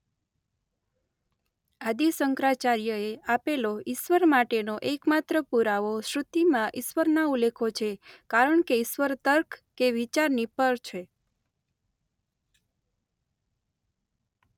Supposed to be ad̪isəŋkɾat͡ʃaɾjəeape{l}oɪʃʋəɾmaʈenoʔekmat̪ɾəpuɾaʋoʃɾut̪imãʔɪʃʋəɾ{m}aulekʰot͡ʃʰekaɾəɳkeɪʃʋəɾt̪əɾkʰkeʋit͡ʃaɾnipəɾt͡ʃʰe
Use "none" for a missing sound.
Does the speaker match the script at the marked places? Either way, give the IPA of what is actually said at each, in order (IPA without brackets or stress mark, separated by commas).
l, n